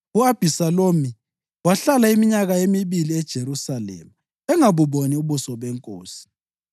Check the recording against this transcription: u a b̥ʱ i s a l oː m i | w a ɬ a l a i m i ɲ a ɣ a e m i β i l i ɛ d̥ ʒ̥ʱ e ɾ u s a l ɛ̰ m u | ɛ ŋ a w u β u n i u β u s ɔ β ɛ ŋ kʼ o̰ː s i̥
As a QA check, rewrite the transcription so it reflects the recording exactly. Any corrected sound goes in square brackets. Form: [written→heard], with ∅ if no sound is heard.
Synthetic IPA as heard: u a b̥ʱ i s a l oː m i | w a ɬ a l a i m i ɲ a ɣ a e m i β i l i ɛ d̥ ʒ̥ʱ e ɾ u s a l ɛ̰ m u | ɛ ŋ a [w→β] u β [u→o] n i u β u s ɔ β ɛ ŋ kʼ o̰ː s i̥